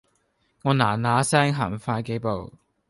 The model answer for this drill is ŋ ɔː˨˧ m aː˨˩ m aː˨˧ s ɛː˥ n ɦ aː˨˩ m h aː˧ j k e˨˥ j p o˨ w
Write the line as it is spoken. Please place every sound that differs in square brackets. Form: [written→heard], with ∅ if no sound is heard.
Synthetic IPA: ŋ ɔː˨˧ [m→n] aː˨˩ [m→n] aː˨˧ s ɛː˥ [n→ŋ] ɦ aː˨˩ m [h→f] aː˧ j k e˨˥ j p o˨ w

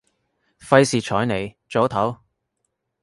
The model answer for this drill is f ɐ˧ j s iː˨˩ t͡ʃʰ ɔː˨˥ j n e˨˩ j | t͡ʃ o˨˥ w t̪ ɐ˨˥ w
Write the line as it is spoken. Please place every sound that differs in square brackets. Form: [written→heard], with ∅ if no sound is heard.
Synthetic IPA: f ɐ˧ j s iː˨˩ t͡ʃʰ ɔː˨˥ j n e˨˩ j | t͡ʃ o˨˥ w [t̪→t̪ʰ] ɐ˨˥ w

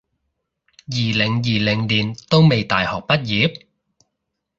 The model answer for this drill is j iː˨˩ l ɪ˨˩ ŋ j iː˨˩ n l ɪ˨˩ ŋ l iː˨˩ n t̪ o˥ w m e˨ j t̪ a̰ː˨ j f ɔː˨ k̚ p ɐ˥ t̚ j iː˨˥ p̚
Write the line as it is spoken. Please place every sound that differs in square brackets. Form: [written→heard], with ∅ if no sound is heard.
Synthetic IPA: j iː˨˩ l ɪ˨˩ ŋ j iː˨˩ [n→∅] l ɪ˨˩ ŋ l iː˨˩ n t̪ o˥ w m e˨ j t̪ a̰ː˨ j [f→h] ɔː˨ k̚ p ɐ˥ t̚ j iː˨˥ p̚

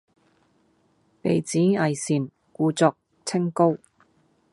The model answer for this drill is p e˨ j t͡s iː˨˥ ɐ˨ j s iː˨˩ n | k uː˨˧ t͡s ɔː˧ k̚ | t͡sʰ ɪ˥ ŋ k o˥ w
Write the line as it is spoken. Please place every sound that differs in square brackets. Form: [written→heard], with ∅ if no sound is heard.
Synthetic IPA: p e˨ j t͡s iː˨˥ ɐ˨ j s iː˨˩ n | k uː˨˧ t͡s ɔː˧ k̚ | t͡sʰ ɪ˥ ŋ k o˥ w

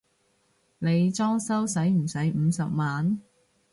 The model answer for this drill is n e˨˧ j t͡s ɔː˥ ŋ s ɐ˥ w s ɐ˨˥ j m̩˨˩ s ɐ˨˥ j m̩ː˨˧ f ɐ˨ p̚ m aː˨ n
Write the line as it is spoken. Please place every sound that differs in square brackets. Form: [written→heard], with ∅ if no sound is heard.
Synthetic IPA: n e˨˧ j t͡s ɔː˥ ŋ s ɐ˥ w s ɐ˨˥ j m̩˨˩ s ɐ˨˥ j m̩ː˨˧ [f→s] ɐ˨ p̚ m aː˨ n

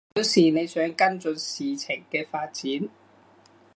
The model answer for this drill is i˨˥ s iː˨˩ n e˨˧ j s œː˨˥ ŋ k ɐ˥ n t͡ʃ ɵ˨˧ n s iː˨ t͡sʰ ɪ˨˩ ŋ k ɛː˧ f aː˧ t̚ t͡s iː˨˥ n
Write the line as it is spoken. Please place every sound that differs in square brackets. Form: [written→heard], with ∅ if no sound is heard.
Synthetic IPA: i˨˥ s iː˨˩ n e˨˧ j s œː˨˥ ŋ k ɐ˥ n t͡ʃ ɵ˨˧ n s iː˨ t͡sʰ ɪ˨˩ ŋ k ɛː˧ f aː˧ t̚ t͡s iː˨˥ n

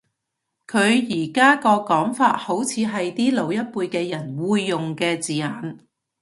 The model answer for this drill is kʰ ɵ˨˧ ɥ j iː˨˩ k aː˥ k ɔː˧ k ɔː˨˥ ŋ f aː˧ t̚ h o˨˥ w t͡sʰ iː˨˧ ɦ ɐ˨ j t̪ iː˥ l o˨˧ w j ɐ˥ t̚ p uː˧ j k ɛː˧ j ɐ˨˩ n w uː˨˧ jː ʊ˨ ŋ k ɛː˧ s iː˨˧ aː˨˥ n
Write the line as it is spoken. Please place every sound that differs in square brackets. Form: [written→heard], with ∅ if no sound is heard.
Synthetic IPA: kʰ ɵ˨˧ ɥ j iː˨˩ k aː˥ k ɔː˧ k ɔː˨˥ ŋ f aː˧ t̚ h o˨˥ w t͡sʰ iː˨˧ ɦ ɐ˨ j t̪ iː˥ l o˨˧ w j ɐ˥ t̚ p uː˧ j k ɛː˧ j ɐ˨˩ n w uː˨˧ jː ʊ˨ ŋ k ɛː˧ [s→t͡s] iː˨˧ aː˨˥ n

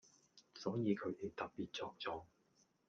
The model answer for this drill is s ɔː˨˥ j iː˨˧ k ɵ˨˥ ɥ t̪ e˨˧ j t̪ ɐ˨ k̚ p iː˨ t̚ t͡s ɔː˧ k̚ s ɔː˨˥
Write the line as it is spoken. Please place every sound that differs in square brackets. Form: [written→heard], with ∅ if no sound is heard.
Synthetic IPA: s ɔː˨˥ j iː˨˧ [k→kʰ] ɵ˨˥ ɥ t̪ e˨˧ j t̪ ɐ˨ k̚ p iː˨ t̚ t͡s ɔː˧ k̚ [s→t͡s] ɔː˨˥

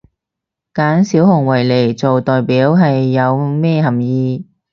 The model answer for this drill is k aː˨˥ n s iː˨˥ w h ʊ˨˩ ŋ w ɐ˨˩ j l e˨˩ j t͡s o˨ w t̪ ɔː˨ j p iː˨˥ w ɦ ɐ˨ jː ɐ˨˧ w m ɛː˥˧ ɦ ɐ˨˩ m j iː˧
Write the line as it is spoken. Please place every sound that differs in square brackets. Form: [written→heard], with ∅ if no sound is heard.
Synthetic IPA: k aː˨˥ n s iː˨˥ w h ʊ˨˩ ŋ w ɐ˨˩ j l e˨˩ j t͡s o˨ w t̪ ɔː˨ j p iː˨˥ w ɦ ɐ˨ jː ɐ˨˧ w m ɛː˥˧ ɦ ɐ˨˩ m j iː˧

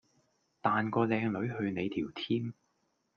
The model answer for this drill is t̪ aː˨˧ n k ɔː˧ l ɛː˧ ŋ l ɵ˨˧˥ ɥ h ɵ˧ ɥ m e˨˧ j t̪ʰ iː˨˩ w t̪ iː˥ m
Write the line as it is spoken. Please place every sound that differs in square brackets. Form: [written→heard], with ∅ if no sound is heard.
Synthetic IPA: t̪ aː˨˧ n k ɔː˧ l ɛː˧ ŋ l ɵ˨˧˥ ɥ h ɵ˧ ɥ [m→n] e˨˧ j t̪ʰ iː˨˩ w [t̪→t̪ʰ] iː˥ m

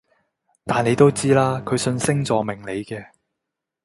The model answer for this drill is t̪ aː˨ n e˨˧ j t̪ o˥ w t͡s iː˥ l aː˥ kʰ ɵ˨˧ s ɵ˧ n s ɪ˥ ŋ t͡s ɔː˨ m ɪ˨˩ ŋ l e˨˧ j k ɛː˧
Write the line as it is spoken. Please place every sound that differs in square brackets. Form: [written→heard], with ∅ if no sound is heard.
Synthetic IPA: t̪ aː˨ n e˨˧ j t̪ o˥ w t͡s iː˥ l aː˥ kʰ ɵ˨˧ s ɵ˧ n s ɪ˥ ŋ t͡s ɔː˨ m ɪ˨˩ ŋ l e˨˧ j k ɛː˧

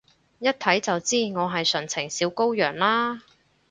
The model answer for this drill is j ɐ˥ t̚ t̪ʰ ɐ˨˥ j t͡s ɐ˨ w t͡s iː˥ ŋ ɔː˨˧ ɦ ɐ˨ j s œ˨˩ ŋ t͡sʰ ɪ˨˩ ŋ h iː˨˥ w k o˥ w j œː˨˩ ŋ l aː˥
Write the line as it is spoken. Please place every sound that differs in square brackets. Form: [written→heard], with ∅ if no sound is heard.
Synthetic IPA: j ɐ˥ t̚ t̪ʰ ɐ˨˥ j t͡s ɐ˨ w t͡s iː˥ ŋ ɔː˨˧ ɦ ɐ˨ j s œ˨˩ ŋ t͡sʰ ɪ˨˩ ŋ [h→s] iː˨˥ w k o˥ w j œː˨˩ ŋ l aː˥

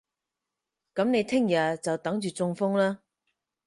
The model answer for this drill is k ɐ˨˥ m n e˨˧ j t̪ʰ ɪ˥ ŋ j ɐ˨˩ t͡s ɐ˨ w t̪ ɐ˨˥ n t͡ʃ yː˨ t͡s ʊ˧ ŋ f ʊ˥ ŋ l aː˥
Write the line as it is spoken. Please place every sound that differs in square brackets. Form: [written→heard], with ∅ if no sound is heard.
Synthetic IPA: k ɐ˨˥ m n e˨˧ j t̪ʰ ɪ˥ ŋ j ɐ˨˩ t͡s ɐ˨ w t̪ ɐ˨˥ [n→ŋ] t͡ʃ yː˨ t͡s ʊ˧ ŋ f ʊ˥ ŋ l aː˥

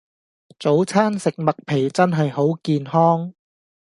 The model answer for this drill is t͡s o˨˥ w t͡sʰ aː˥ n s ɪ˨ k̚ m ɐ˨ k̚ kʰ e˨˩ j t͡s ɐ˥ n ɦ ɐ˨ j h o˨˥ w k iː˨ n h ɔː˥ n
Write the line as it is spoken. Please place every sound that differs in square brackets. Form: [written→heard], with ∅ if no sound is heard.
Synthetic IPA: t͡s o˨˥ w t͡sʰ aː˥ n s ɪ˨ k̚ m ɐ˨ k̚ [kʰ→pʰ] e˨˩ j t͡s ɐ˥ n ɦ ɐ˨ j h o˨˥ w k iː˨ n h ɔː˥ [n→ŋ]

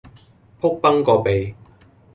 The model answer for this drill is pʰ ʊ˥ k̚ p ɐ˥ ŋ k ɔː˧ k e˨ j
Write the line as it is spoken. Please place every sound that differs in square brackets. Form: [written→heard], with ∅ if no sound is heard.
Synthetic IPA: pʰ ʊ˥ k̚ p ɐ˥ ŋ k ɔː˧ [k→p] e˨ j

